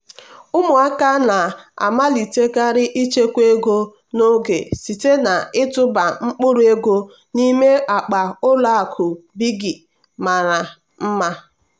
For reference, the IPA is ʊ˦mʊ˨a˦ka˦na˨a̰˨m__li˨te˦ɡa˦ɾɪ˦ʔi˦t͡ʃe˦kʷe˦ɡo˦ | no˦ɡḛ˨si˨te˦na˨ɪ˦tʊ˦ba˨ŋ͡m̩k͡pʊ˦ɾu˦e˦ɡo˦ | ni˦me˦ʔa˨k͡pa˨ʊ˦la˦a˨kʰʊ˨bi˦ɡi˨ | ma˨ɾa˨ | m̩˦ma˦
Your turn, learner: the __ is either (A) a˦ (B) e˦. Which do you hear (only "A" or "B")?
A